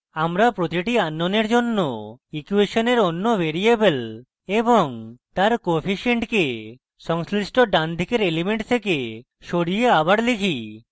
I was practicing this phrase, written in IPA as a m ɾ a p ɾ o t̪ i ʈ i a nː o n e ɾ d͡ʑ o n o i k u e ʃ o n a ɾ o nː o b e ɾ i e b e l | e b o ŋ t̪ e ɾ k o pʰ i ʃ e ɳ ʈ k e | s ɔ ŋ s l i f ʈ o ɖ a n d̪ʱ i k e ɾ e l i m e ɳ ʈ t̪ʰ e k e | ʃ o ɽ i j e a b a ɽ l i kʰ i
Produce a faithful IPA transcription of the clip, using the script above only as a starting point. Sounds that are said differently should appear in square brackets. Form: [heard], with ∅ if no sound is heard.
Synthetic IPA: a m ɾ a p ɾ o t̪ i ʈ i a nː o n e ɾ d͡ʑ o [nː] o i k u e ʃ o n [e] ɾ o nː o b e ɾ i e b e l | e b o ŋ t̪ [a] ɾ k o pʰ i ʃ e ɳ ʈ k e | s ɔ ŋ s l i [s] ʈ o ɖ a n d̪ʱ i k e ɾ e l i m e ɳ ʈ t̪ʰ e k e | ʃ o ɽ i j e a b a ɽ l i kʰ i